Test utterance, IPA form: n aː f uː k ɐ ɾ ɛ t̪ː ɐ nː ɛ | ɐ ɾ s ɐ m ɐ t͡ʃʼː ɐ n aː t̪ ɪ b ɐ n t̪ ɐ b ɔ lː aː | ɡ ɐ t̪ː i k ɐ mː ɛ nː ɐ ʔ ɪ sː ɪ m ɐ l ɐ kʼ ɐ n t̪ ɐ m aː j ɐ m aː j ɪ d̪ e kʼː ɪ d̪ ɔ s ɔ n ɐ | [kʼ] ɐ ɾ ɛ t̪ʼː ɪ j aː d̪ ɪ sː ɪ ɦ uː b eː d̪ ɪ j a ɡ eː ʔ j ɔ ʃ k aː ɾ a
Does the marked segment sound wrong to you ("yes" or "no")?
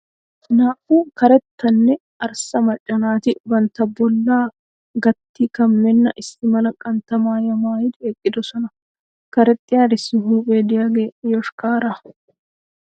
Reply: yes